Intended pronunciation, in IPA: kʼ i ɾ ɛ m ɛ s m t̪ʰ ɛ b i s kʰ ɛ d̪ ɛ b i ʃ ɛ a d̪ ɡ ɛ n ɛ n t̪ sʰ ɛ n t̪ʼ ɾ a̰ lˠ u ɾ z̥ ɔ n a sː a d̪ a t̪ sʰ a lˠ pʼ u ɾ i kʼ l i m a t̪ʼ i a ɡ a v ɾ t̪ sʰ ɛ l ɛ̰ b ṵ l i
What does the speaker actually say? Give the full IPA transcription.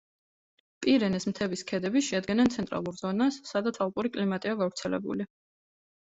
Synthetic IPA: pʼ i ɾ ɛ n ɛ s m t̪ʰ ɛ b i s kʰ ɛ d̪ ɛ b i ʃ ɛ a d̪ ɡ ɛ n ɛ n t̪ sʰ ɛ n t̪ʼ ɾ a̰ lˠ u ɾ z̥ ɔ n a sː a d̪ a t̪ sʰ a lˠ pʼ u ɾ i kʼ l i m a t̪ʼ i a ɡ a v ɾ t̪ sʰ ɛ l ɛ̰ b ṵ l i